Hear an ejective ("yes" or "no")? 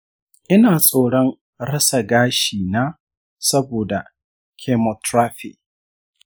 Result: yes